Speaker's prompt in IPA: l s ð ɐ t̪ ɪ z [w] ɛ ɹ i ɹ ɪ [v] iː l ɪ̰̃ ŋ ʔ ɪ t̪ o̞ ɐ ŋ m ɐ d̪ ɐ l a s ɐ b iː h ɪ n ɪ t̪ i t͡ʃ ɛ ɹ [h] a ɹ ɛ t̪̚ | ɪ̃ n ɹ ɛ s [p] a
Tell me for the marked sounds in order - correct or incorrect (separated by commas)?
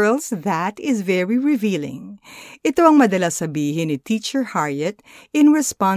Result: incorrect, correct, correct, correct